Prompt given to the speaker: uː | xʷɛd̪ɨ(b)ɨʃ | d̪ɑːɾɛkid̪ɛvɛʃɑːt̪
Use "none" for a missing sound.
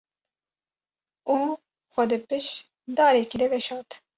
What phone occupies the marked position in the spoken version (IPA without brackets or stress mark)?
p